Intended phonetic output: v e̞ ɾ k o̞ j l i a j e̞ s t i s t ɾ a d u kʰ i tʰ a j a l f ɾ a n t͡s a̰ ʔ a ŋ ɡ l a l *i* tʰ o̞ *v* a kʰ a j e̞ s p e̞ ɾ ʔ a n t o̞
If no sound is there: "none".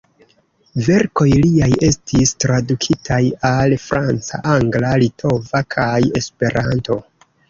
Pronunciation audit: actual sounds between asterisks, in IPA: i, v

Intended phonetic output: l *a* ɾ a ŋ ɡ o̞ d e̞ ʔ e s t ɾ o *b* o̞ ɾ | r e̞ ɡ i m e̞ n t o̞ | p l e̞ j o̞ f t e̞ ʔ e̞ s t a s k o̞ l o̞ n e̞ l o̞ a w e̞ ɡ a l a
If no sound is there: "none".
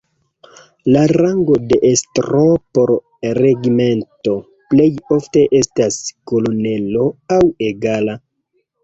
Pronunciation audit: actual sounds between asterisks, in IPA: a, p

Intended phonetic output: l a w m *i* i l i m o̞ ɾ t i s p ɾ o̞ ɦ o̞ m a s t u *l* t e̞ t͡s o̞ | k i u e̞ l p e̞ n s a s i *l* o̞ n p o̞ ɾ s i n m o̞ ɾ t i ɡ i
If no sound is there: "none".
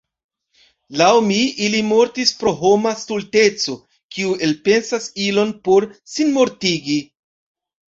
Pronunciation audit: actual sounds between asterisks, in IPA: i, l, l

